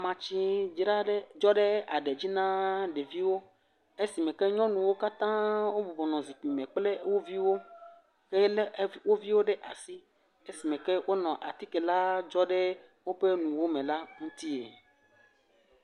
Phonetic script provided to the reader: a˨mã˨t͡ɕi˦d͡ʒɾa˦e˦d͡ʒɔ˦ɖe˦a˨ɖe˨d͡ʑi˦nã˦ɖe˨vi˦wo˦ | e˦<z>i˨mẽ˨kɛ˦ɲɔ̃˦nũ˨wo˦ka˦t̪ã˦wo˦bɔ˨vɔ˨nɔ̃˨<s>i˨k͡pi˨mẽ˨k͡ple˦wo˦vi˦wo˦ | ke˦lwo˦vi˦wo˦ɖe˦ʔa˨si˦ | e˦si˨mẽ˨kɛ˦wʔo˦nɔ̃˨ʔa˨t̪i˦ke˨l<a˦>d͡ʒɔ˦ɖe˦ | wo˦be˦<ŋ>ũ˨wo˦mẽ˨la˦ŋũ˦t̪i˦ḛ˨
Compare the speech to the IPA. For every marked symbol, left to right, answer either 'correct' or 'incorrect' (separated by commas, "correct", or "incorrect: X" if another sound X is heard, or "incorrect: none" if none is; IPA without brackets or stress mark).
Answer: incorrect: s, incorrect: z, correct, incorrect: n